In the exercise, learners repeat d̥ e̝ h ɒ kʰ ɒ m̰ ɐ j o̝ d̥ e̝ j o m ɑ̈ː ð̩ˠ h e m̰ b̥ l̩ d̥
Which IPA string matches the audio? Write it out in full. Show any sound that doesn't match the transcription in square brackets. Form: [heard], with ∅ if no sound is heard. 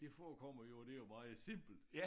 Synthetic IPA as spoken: d̥ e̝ [f] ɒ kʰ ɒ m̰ ɐ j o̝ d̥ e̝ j o m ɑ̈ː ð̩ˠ [s] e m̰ b̥ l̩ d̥